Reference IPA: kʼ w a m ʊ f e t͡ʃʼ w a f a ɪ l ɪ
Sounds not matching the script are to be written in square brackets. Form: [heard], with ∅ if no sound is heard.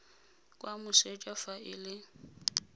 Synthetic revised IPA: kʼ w a m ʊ [s] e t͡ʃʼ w a f a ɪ l ɪ